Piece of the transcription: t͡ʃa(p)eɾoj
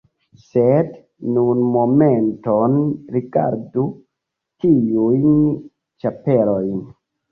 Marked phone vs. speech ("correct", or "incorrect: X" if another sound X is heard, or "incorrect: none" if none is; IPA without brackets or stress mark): correct